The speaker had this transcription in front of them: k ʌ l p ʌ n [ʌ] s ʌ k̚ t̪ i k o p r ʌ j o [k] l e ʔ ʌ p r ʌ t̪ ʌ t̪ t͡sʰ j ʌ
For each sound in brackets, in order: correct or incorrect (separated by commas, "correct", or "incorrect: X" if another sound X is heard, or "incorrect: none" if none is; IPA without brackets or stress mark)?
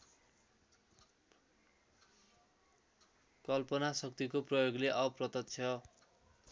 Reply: incorrect: a, incorrect: ɡ